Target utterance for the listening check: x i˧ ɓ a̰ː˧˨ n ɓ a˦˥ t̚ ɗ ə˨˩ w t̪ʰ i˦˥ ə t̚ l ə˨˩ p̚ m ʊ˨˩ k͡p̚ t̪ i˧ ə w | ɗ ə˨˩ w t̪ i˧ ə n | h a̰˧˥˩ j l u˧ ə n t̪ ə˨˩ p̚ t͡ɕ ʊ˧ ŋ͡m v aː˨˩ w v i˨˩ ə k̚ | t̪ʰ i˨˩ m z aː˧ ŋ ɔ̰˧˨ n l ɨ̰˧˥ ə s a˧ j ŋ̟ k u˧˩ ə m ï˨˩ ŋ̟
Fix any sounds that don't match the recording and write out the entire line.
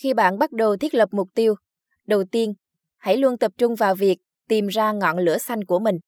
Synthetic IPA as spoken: x i˧ ɓ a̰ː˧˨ n ɓ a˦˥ t̚ ɗ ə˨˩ w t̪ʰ i˦˥ ə t̚ l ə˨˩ p̚ m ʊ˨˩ k͡p̚ t̪ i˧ ə w | ɗ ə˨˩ w t̪ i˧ ə n | h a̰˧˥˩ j l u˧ ə n t̪ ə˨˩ p̚ t͡ɕ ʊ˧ ŋ͡m v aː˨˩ w v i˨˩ ə k̚ | t̪ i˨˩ m z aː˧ ŋ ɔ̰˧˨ n l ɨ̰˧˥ ə s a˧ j ŋ̟ k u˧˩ ə m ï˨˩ ŋ̟